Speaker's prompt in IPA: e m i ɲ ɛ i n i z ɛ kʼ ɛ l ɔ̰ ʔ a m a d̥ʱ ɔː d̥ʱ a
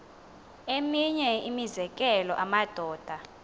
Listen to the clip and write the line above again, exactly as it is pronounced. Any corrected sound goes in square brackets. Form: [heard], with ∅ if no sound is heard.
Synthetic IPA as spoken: e m i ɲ ɛ i [m] i z ɛ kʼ ɛ l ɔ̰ ʔ a m a d̥ʱ ɔː d̥ʱ a